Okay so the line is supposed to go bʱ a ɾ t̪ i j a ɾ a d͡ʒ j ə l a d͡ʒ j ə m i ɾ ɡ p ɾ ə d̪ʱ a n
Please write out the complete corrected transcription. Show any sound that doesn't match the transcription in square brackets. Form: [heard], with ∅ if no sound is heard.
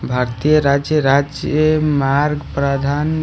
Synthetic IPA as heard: bʱ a ɾ t̪ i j [ə] ɾ a d͡ʒ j ə [ɾ] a d͡ʒ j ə m [a] ɾ ɡ p ɾ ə d̪ʱ a n